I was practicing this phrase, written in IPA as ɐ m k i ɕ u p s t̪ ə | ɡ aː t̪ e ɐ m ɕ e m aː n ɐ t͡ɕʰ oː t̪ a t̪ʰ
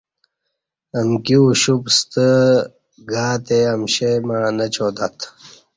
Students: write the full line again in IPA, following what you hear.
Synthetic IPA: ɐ m k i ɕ u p s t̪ ə | ɡ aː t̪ e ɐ m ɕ e m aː n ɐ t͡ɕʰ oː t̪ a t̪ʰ